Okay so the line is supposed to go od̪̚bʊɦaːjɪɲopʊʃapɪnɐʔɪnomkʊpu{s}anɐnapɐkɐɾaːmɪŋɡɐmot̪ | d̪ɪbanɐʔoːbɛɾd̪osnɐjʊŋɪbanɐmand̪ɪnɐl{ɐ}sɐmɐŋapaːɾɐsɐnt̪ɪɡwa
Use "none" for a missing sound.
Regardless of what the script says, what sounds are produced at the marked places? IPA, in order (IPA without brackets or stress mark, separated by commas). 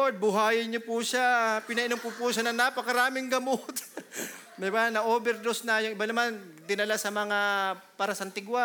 ʃ, a